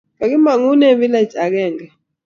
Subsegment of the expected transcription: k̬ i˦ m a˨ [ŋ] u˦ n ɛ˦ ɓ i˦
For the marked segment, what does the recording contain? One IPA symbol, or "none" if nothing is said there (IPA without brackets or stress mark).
ŋ